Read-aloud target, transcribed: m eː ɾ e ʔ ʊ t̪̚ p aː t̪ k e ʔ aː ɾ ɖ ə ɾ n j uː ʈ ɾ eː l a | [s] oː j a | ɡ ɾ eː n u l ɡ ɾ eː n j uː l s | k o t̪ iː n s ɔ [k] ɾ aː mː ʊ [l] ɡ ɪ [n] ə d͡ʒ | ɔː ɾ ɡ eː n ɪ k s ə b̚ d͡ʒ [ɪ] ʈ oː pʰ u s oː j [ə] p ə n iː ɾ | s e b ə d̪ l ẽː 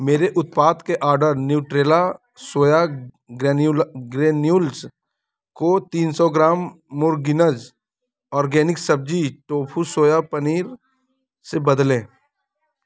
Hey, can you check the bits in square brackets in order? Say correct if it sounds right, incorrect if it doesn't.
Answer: correct, incorrect: ɡ, incorrect: ɾ, correct, incorrect: i, incorrect: a

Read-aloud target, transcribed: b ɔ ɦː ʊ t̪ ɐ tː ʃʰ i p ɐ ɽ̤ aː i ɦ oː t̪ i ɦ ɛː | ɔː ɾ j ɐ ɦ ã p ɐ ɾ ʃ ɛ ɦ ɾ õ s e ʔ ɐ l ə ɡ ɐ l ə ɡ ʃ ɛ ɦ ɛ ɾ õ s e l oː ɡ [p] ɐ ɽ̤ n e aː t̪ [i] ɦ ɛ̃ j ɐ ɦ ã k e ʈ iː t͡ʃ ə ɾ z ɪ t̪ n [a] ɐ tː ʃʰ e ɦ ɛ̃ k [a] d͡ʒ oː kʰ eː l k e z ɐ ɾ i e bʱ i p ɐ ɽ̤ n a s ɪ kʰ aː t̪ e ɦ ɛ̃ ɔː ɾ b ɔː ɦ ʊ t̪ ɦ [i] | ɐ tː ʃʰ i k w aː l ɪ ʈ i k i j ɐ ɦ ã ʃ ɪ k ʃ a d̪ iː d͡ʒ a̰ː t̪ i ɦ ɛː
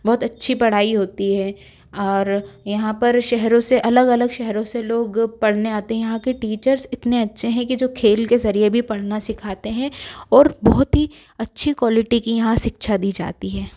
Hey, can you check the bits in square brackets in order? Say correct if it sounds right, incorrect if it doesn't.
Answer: correct, incorrect: e, incorrect: e, incorrect: i, correct

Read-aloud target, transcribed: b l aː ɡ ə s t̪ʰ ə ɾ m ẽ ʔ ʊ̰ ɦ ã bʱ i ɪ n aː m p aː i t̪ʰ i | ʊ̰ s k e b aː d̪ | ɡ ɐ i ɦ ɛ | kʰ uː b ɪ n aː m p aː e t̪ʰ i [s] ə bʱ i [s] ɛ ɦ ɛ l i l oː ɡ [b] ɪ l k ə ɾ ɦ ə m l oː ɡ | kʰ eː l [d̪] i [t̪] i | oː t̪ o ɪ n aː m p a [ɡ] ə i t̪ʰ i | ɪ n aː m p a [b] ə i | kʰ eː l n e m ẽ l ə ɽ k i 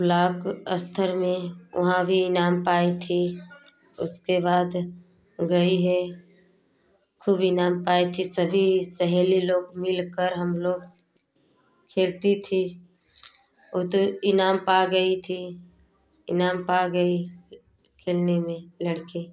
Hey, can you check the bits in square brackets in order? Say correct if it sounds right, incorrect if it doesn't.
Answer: correct, correct, incorrect: m, incorrect: t̪, incorrect: t̪ʰ, correct, incorrect: ɡ

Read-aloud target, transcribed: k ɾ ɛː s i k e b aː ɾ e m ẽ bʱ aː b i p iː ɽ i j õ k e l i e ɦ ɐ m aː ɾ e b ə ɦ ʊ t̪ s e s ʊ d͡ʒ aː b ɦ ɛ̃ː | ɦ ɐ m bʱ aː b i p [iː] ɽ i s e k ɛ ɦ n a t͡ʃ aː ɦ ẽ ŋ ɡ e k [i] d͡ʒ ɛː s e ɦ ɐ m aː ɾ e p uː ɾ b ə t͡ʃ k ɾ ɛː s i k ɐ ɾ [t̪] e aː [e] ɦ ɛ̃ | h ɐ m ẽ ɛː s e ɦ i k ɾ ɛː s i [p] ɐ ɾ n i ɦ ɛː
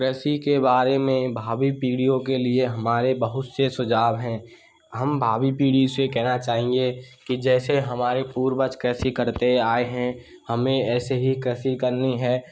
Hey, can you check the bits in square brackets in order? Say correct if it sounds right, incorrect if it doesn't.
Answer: correct, correct, correct, correct, incorrect: k

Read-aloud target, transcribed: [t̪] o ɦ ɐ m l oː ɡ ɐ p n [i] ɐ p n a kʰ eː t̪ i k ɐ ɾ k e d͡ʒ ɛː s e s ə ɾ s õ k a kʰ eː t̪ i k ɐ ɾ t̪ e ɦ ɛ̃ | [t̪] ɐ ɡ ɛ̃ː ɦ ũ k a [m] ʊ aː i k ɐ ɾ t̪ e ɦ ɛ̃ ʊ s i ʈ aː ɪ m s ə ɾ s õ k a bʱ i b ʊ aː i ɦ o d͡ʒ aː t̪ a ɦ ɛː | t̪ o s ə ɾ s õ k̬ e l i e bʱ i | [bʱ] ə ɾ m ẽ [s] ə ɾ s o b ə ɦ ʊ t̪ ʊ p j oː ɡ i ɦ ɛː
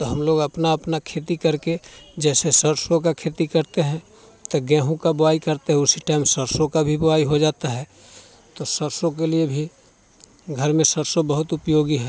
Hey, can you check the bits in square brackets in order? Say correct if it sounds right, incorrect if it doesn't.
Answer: correct, incorrect: a, correct, incorrect: b, incorrect: ɡʱ, correct

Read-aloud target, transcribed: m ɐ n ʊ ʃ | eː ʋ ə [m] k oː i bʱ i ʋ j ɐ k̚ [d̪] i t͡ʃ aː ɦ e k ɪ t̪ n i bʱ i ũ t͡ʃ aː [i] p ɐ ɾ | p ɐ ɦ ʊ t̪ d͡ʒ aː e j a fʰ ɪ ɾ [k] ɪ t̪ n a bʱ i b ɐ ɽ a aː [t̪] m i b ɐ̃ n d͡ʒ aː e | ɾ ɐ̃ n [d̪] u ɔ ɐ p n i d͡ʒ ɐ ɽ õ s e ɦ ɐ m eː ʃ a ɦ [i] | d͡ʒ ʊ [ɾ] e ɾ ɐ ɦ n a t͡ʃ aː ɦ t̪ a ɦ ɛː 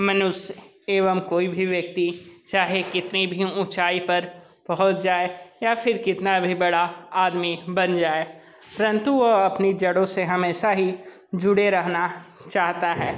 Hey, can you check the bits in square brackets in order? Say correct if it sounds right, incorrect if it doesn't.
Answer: correct, incorrect: t̪, correct, correct, incorrect: d̪, incorrect: t̪, correct, incorrect: ɽ

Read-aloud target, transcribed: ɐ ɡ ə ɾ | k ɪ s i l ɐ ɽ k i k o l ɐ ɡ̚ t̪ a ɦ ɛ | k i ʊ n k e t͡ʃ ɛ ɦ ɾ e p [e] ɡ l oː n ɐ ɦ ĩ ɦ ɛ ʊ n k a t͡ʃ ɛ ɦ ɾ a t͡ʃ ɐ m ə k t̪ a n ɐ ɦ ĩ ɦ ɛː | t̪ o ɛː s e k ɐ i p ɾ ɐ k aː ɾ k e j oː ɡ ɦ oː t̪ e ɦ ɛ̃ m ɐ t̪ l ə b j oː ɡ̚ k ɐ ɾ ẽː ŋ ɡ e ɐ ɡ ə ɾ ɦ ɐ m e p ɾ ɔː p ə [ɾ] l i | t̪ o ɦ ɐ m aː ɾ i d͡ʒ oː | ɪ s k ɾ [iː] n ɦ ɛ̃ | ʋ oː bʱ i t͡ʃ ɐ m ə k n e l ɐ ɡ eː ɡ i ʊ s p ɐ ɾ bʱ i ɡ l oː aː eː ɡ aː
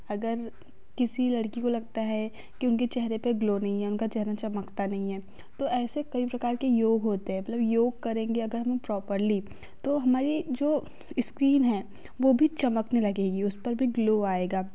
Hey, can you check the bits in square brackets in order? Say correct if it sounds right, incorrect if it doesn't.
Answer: correct, correct, correct

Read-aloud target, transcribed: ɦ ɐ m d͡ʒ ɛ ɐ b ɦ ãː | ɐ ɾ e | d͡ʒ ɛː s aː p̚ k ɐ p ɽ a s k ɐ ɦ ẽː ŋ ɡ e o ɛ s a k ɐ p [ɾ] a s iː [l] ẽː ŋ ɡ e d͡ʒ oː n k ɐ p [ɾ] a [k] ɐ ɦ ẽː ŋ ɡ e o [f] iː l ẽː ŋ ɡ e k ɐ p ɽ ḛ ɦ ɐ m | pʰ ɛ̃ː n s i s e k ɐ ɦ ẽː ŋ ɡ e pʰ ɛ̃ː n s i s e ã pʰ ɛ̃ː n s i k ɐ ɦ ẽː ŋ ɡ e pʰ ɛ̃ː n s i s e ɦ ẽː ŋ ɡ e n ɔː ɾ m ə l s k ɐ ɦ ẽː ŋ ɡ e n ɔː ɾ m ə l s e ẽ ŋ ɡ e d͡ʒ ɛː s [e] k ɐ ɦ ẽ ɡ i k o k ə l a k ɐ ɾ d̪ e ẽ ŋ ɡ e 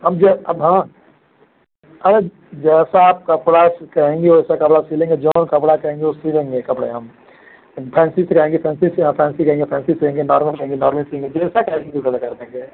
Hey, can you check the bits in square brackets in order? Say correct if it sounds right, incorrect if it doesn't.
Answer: incorrect: ɽ, correct, incorrect: ɽ, correct, incorrect: s, incorrect: a

